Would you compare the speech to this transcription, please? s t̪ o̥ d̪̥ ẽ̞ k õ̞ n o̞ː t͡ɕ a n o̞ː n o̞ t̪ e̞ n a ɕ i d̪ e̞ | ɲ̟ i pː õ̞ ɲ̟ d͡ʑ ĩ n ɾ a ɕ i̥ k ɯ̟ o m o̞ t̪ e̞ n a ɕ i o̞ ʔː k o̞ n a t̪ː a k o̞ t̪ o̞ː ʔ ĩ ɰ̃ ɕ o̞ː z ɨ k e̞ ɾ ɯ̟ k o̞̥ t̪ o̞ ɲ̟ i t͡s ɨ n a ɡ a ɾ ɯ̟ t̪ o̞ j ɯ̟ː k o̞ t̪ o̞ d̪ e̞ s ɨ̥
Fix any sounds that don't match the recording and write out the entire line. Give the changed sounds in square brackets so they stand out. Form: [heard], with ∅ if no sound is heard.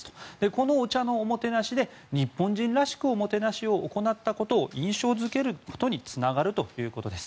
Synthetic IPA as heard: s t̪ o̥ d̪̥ [e̞] k [o̞] n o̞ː t͡ɕ a n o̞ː [m] o̞ t̪ e̞ n a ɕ i d̪ e̞ | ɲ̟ i pː õ̞ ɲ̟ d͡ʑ ĩ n ɾ a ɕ i̥ k ɯ̟ o m o̞ t̪ e̞ n a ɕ i o̞ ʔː k o̞ n a t̪ː a k o̞ t̪ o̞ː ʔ ĩ ɰ̃ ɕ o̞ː z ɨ k e̞ ɾ ɯ̟ k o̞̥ t̪ o̞ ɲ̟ i t͡s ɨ n a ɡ a ɾ ɯ̟ t̪ o̞ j ɯ̟ː k o̞ t̪ o̞ d̪ e̞ s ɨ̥